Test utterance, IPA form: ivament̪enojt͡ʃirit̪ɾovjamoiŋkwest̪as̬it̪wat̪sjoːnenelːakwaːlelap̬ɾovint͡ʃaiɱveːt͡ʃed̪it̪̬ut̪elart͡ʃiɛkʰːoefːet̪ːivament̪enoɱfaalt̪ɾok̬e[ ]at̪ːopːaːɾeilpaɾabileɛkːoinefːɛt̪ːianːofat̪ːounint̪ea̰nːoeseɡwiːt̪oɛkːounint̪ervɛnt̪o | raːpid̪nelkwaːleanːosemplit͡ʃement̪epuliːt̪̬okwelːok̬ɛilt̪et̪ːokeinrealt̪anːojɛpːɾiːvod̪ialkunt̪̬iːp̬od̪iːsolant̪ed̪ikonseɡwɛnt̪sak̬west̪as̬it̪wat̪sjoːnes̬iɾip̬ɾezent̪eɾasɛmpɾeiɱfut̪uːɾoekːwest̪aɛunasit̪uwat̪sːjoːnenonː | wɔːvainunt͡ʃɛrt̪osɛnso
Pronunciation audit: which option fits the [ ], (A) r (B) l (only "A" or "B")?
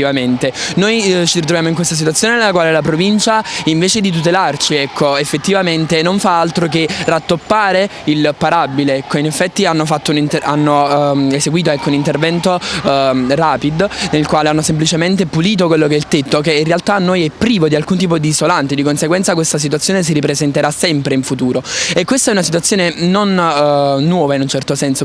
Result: A